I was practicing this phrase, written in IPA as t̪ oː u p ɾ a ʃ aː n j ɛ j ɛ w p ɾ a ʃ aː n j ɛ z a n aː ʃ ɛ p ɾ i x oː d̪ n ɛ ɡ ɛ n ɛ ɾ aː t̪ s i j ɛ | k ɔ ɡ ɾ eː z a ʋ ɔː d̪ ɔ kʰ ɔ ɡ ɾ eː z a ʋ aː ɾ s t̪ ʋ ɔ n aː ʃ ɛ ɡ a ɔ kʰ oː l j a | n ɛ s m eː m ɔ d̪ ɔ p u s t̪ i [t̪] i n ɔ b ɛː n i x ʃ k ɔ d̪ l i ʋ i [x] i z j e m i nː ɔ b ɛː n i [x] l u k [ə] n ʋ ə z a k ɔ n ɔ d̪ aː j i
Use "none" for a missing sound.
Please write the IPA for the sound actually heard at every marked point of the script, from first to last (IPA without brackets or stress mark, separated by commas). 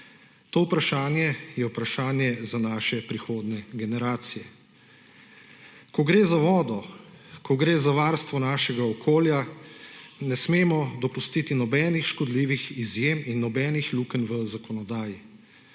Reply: t̪, x, x, ə